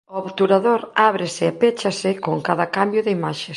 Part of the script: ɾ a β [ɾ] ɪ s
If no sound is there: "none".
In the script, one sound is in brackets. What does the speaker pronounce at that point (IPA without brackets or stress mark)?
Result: ɾ